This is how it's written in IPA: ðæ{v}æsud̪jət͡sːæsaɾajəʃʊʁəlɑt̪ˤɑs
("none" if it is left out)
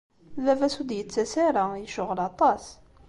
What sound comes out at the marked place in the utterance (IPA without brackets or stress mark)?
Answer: v